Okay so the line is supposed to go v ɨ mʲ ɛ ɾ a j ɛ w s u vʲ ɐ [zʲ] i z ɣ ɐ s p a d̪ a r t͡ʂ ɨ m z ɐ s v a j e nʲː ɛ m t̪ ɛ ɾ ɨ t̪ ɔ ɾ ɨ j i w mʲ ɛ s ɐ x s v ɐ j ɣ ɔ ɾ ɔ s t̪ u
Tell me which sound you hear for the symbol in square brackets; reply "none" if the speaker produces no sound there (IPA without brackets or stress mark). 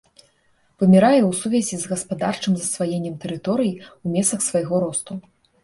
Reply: zʲ